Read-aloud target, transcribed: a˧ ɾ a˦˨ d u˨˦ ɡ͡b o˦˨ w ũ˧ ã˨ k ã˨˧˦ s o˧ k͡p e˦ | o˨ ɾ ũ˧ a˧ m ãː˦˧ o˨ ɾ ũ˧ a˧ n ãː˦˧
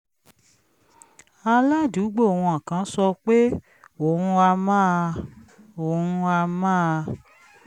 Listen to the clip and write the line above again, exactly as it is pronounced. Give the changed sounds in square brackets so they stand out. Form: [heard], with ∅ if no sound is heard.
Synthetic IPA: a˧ [l] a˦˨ d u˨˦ ɡ͡b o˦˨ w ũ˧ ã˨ k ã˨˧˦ s [ɔ˧] k͡p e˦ | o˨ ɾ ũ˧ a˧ m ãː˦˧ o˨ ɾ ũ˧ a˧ [m] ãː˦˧